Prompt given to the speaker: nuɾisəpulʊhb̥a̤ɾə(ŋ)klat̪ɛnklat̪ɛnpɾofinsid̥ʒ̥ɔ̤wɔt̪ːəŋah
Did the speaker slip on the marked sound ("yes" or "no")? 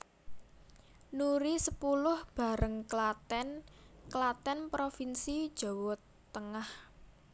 no